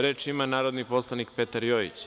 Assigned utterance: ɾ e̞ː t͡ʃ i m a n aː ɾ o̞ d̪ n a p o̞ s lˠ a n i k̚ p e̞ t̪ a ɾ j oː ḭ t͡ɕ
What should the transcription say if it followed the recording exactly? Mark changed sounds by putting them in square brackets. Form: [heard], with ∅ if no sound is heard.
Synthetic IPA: ɾ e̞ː t͡ʃ i m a n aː ɾ o̞ d̪ n [i] p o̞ s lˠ a n i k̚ p e̞ t̪ a ɾ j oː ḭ t͡ɕ